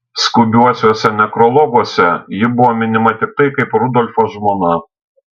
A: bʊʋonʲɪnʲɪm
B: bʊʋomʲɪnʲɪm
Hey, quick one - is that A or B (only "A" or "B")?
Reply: B